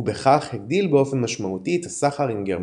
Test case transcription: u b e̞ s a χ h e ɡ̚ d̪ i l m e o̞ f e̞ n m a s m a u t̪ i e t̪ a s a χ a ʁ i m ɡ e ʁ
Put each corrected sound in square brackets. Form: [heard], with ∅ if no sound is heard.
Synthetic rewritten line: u b e̞ [χ] a χ h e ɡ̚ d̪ i l [b] e o̞ f e̞ n m a [ʃ] m a u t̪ i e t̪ a s a χ a ʁ i m ɡ e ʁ